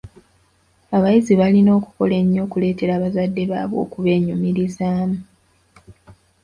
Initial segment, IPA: a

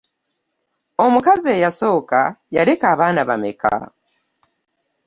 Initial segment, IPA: o̞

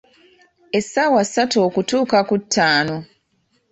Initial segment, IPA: e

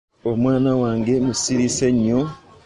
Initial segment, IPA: o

